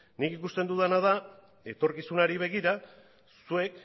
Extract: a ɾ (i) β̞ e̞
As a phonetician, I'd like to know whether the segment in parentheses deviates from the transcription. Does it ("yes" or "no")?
no